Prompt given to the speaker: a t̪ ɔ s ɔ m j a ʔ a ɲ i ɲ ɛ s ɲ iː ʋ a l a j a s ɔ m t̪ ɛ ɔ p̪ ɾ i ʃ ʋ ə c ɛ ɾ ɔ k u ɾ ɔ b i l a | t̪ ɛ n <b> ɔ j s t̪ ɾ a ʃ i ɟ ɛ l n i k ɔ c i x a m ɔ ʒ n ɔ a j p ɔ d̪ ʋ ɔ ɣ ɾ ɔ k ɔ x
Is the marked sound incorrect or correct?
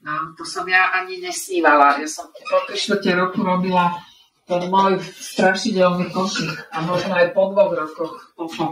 incorrect